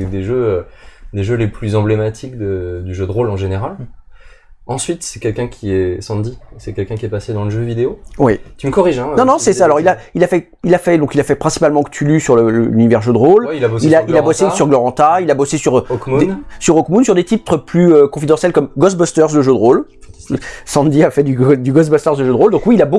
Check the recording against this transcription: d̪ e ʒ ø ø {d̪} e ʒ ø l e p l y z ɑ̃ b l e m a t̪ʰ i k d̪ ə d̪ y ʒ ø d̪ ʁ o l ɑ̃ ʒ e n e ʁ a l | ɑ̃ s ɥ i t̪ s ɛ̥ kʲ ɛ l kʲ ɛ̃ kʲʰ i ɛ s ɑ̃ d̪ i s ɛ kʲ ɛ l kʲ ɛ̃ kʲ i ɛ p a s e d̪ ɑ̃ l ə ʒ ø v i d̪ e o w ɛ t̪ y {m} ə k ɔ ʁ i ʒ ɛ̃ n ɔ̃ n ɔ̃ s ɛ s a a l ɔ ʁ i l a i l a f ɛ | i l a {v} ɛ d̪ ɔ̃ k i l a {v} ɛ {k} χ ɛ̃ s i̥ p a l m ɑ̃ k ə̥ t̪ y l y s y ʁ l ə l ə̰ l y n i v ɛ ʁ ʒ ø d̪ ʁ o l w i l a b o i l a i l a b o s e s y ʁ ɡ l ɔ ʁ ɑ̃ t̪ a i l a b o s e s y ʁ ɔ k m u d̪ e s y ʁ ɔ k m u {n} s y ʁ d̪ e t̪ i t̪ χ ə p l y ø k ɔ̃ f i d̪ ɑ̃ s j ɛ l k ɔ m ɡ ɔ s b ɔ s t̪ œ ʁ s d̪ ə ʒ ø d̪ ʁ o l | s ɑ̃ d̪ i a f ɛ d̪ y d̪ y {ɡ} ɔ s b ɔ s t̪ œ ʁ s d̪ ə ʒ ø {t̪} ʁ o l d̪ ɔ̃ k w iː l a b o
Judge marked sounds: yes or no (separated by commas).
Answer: yes, yes, no, no, no, yes, yes, no